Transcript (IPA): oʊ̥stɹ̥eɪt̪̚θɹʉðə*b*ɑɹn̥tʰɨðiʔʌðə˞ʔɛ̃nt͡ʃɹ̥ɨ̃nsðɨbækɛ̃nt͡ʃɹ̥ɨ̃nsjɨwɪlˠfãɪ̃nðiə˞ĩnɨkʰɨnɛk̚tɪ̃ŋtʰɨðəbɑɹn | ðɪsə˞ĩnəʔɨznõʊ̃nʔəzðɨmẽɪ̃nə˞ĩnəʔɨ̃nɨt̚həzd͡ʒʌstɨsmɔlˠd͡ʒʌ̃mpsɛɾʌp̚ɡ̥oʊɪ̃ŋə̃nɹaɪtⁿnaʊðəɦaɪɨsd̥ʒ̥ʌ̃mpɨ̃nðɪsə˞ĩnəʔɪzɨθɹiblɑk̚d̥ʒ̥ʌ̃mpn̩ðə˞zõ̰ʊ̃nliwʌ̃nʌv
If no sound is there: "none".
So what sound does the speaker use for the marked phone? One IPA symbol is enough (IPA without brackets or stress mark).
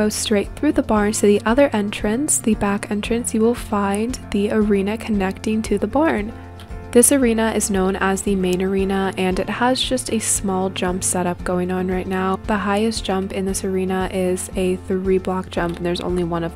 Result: b